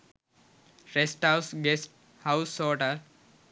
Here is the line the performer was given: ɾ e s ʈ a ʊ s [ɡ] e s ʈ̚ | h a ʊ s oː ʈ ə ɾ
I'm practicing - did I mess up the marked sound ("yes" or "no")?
no